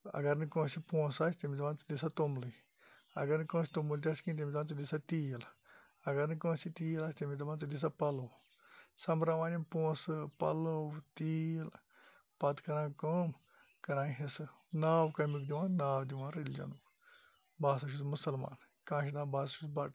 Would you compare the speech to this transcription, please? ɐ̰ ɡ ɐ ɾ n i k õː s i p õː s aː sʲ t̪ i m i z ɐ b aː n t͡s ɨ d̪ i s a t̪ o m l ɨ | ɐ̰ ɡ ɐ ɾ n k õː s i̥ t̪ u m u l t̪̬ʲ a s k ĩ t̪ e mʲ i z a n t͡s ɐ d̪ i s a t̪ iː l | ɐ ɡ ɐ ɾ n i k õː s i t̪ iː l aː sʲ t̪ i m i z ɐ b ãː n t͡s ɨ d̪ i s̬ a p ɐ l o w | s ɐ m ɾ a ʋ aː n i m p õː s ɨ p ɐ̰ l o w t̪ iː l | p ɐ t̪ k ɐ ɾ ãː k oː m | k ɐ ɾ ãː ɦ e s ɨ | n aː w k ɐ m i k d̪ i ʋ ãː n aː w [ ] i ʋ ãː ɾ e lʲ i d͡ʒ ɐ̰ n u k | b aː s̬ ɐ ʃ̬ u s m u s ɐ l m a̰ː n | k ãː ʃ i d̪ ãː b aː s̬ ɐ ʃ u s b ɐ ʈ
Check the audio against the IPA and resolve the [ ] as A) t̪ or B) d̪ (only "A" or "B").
B